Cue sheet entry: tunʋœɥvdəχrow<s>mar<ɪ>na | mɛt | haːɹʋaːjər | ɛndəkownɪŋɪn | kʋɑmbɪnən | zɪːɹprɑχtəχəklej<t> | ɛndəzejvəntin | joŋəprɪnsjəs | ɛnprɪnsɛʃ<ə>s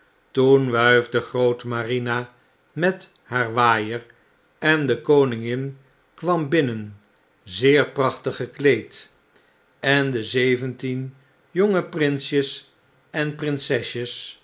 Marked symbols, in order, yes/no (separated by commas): no, no, yes, yes